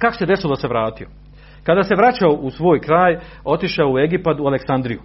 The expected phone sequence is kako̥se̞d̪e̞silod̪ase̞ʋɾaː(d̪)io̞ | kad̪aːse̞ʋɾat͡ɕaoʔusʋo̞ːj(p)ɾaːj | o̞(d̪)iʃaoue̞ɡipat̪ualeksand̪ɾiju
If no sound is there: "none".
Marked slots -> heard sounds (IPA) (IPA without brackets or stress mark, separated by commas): t̪, k, t̪